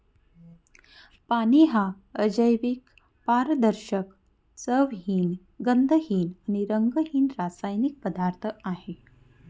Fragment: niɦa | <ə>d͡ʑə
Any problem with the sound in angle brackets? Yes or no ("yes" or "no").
no